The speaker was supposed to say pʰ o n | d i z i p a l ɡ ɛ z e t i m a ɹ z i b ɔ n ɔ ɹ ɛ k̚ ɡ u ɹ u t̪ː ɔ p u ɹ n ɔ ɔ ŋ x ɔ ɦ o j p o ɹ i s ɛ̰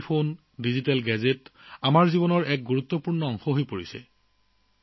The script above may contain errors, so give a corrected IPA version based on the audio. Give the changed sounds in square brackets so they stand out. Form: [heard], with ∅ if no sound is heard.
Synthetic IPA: pʰ o n | d i z i [t] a l ɡ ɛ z e t [a] m a ɹ z i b ɔ n ɔ ɹ ɛ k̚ ɡ u ɹ u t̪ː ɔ p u ɹ n ɔ ɔ ŋ x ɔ ɦ o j p o ɹ i s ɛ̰